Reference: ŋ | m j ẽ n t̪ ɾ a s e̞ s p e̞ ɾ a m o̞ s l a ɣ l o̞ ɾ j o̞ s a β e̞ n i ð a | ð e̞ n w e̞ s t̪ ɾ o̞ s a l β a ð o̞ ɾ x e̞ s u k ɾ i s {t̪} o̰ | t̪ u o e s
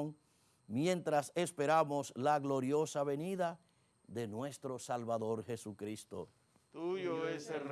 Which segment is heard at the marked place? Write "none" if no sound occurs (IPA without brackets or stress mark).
t̪